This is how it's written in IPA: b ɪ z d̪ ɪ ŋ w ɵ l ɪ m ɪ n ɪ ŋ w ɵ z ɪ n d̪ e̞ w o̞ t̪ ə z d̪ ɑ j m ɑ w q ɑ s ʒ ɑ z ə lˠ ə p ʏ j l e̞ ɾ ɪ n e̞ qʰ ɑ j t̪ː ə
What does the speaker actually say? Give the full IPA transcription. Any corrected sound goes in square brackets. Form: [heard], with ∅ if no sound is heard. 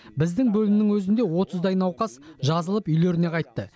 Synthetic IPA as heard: b ɪ z d̪ ɪ ŋ [b] ɵ l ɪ m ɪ n ɪ ŋ w ɵ z ɪ n d̪ e̞ w o̞ t̪ ə z d̪ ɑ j [n] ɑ w q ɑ s ʒ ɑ z ə lˠ ə p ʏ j l e̞ ɾ ɪ n e̞ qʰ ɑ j t̪ː ə